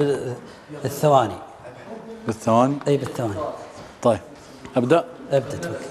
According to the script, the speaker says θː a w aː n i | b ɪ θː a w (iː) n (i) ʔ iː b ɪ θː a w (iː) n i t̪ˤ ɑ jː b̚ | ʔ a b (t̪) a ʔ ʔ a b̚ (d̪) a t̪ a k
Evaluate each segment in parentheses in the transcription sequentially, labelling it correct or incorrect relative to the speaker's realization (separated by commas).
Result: incorrect, correct, incorrect, incorrect, correct